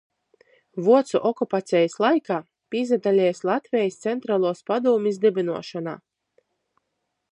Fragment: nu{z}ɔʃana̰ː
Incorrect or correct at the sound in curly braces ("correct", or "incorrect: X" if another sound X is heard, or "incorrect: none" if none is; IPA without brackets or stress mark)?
incorrect: none